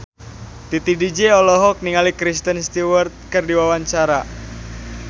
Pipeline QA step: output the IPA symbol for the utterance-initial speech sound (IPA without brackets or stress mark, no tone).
t̪